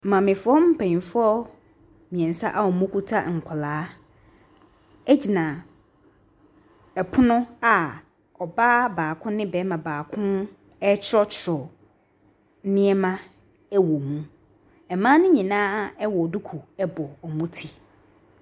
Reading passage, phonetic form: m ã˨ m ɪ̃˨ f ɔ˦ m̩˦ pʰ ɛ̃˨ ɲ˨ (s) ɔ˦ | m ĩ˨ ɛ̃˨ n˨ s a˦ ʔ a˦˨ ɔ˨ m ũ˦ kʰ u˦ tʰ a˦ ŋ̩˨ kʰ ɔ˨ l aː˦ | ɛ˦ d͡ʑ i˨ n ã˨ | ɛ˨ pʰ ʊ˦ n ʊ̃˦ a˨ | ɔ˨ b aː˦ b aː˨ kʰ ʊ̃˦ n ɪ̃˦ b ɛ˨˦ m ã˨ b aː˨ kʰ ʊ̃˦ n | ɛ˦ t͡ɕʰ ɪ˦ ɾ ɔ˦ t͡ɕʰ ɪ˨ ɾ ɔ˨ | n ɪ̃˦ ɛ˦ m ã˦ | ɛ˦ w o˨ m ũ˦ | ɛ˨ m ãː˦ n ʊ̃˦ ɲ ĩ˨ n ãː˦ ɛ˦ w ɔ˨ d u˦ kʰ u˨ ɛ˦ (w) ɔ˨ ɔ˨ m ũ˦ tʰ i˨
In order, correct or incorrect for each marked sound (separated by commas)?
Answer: incorrect, incorrect